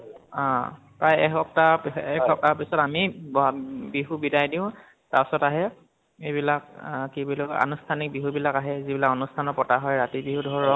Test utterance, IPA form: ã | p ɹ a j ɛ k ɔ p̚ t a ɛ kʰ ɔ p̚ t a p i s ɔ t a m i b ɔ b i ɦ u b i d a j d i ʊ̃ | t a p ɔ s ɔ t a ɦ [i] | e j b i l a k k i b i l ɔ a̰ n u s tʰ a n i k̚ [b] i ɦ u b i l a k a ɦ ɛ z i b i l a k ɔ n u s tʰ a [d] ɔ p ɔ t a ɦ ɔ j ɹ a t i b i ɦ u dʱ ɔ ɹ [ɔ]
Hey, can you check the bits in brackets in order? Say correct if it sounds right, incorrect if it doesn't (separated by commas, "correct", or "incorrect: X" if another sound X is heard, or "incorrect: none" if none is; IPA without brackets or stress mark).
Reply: incorrect: ɛ, correct, incorrect: n, correct